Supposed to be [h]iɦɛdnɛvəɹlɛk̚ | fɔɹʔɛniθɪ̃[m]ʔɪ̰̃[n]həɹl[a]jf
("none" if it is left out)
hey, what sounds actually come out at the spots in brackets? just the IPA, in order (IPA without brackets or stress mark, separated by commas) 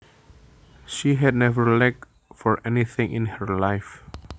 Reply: ʃ, ŋ, n, a